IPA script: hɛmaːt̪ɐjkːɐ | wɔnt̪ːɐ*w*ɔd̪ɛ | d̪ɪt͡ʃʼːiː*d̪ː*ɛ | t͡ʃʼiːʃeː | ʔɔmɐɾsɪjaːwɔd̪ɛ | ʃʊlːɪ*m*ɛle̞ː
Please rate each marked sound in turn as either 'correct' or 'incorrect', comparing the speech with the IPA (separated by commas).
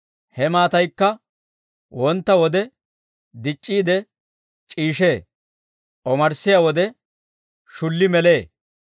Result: correct, incorrect, correct